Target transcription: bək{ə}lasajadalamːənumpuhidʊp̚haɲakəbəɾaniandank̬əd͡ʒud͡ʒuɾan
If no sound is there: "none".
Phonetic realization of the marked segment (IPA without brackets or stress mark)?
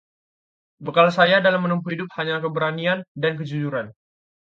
a